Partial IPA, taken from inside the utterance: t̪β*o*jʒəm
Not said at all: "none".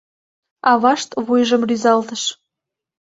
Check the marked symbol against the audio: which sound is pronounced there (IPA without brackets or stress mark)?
u